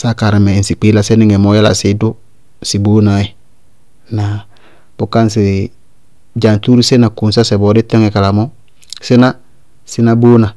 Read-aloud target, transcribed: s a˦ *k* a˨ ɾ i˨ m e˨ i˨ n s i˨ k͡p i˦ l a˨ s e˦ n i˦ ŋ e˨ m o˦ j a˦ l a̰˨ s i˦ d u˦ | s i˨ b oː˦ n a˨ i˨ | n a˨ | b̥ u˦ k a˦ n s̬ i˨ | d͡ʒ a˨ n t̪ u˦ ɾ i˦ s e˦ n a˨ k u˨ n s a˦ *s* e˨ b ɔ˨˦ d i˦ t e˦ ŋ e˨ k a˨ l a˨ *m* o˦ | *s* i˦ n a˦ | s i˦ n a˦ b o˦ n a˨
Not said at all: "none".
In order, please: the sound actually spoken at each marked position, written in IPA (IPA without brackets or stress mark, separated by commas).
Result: k, s, m, s